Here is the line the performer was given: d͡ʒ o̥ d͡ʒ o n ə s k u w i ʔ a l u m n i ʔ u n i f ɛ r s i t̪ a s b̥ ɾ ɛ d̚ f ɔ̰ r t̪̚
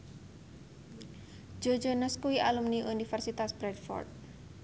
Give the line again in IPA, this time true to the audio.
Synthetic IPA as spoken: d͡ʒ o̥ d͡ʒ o n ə s k u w i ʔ a l u m n i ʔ u n i f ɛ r s i t̪ a s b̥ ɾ ɛ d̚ f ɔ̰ r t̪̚